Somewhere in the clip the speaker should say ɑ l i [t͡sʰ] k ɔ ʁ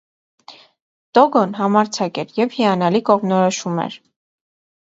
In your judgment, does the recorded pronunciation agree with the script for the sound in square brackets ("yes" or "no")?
no